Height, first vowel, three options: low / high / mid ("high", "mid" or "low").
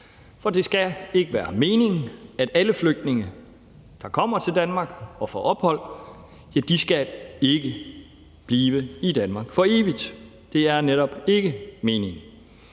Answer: low